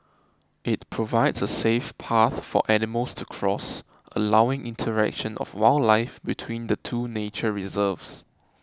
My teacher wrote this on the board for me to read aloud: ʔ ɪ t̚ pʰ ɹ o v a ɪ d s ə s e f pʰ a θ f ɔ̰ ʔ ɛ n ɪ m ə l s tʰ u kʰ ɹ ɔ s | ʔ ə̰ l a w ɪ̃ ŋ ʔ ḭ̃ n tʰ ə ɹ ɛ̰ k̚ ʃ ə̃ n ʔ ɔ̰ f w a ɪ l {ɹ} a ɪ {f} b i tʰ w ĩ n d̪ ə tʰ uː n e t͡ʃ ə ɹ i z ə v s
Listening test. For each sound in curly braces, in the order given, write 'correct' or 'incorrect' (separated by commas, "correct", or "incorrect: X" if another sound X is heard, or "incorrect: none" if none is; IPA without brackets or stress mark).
incorrect: l, correct